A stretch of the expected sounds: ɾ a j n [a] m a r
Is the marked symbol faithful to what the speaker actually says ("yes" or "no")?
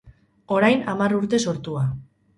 yes